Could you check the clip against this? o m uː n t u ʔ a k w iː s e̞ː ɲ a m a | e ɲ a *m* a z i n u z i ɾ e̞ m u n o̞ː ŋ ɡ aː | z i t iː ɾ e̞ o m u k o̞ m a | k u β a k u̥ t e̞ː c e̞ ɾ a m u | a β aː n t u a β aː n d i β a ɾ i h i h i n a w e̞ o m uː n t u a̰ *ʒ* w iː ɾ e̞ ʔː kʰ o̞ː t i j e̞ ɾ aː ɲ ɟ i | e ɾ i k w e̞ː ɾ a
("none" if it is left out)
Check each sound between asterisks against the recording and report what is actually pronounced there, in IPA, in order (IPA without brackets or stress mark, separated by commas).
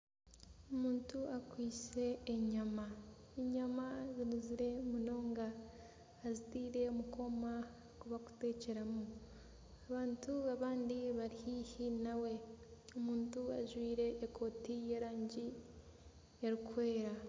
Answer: m, ʒ